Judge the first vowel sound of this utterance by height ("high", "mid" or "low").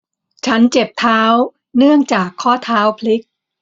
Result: low